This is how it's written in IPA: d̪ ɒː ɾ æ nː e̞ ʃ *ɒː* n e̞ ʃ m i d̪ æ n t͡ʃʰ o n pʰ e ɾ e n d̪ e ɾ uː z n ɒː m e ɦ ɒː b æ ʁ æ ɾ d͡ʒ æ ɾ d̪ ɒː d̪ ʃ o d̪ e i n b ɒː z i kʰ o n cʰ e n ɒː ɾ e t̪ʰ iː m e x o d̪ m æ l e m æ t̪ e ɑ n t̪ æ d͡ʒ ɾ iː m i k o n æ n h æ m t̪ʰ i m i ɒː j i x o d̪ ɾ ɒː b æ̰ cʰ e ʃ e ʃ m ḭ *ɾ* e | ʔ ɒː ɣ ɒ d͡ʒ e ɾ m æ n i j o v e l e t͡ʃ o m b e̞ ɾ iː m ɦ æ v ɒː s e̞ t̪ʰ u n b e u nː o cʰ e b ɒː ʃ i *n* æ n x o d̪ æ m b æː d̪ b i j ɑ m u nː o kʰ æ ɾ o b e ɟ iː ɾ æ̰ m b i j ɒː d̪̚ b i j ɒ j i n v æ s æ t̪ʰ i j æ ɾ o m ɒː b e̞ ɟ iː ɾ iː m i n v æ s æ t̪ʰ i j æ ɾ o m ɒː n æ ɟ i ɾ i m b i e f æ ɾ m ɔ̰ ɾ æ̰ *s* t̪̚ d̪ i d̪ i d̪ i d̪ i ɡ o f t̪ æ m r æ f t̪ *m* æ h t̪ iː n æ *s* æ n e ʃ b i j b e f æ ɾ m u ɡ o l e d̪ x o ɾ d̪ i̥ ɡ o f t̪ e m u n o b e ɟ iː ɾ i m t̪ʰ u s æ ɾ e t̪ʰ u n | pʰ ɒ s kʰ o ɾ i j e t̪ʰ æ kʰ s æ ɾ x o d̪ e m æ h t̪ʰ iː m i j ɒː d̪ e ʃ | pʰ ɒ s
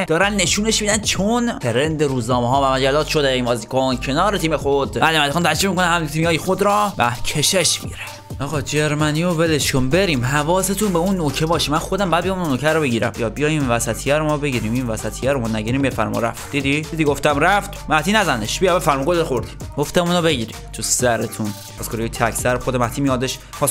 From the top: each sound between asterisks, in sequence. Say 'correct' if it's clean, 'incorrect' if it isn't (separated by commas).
incorrect, correct, incorrect, incorrect, correct, incorrect